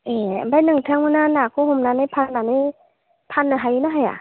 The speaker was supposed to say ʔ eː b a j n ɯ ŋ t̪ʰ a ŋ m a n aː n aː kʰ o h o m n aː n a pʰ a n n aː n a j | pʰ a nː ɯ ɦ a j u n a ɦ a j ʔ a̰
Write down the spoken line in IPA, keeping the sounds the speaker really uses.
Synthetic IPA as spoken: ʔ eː b a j n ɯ ŋ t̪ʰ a ŋ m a n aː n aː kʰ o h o m n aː n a pʰ a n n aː n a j | pʰ a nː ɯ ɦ a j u n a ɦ a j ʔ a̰